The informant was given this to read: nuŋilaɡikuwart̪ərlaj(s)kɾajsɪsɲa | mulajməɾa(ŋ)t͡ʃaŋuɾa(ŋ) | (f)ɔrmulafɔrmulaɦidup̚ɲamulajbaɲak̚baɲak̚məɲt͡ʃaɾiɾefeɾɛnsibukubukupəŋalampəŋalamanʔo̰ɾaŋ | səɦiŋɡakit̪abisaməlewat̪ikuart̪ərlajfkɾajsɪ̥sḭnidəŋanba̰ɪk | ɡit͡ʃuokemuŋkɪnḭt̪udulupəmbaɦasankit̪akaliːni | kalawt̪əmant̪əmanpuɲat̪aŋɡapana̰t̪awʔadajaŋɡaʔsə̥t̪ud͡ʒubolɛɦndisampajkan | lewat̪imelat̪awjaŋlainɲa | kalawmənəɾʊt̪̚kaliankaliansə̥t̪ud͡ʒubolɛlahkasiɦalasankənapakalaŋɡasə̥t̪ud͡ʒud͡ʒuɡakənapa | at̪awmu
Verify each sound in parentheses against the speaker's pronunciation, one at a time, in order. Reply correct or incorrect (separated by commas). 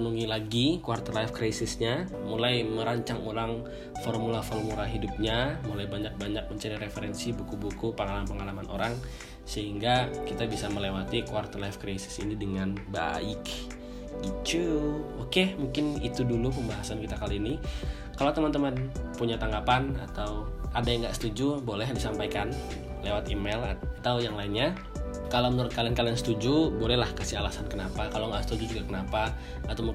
incorrect, incorrect, correct, correct